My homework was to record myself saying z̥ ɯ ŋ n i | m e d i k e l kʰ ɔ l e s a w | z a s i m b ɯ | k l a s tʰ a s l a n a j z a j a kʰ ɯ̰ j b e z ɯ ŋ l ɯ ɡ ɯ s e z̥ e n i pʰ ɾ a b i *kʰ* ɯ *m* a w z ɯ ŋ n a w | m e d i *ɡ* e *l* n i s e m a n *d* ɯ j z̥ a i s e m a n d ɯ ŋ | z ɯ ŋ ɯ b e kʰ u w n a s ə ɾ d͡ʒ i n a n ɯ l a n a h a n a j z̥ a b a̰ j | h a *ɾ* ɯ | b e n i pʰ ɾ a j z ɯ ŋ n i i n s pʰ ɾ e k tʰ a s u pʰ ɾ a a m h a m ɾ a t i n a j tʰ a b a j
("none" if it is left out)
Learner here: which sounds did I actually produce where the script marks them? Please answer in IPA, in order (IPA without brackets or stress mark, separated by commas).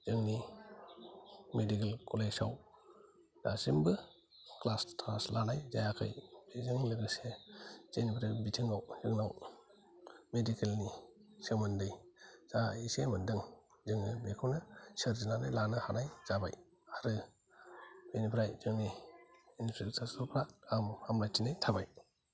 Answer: tʰ, ŋ, k, l, d, ɾ